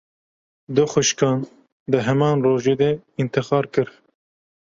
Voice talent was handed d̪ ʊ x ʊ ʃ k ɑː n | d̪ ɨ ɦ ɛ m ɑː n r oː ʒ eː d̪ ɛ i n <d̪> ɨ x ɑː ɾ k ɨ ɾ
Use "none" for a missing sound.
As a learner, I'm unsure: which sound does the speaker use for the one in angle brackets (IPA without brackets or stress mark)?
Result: t̪